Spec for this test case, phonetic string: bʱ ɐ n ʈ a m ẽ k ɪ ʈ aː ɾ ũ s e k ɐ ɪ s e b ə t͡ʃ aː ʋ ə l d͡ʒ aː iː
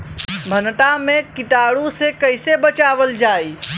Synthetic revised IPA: bʱ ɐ n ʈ a m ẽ k ɪ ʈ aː ɽ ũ s e k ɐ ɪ s e b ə t͡ʃ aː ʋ ə l d͡ʒ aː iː